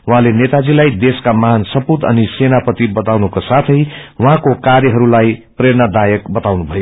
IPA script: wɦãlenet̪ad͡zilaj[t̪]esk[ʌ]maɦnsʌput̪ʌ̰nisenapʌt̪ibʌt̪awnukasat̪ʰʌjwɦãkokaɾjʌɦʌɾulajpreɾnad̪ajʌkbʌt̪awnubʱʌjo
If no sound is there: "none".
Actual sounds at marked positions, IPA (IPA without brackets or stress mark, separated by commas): d̪, a